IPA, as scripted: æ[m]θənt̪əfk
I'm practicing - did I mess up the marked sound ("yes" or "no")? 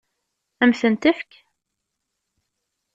no